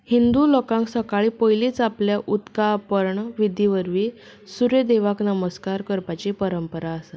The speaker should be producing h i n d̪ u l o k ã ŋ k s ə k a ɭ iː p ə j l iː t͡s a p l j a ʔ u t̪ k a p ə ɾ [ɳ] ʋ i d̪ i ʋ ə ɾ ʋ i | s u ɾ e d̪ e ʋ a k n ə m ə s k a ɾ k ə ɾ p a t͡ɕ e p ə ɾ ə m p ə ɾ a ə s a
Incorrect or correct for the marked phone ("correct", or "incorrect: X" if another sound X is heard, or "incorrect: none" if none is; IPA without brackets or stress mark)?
correct